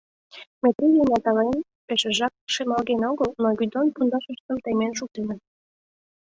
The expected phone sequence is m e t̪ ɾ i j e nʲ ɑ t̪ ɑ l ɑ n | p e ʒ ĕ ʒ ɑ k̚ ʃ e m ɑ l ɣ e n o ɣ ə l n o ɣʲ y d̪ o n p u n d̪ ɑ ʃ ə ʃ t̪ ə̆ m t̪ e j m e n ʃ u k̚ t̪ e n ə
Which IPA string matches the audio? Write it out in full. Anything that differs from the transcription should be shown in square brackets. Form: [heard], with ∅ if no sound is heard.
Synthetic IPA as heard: m e t̪ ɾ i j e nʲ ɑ t̪ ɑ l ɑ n | p e [ʃ] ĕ ʒ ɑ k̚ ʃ e m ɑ l ɣ e n o ɣ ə l n o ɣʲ y d̪ o n p u n d̪ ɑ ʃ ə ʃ t̪ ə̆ m t̪ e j m e n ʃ u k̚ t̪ e n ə